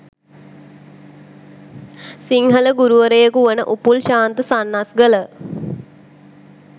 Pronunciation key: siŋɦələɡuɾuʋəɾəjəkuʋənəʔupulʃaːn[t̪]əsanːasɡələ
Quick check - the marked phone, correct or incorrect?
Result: correct